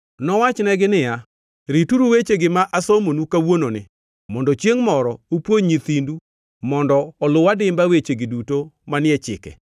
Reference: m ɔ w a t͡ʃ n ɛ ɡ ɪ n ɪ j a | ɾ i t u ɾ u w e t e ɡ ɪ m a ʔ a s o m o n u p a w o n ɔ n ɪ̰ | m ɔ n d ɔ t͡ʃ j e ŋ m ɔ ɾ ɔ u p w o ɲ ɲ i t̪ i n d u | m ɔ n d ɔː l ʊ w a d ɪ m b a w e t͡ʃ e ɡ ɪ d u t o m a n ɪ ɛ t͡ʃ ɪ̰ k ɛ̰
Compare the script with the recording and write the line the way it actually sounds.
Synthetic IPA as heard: n ɔ w a t͡ʃ n ɛ ɡ ɪ n ɪ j a | ɾ i t u ɾ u w e t͡ʃ e ɡ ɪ m a ʔ a s o m o n u k a w o n o n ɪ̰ | m ɔ n d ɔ t͡ʃ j e ŋ m ɔ ɾ ɔ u p w o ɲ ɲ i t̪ i n d u | m ɔ n d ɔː l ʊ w a d ɪ m b a w e t͡ʃ e ɡ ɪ d u t o m a n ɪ ɛ t͡ʃ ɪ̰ k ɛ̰